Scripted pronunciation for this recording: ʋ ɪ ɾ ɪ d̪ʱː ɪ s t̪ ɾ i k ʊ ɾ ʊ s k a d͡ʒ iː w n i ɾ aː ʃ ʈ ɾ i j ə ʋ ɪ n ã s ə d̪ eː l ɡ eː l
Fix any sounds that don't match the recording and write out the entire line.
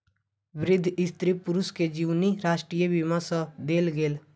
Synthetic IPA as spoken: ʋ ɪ ɾ ɪ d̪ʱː ɪ s t̪ ɾ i p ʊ ɾ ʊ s k e d͡ʒ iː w n i ɾ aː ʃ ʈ ɾ i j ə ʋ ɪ m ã s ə d̪ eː l ɡ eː l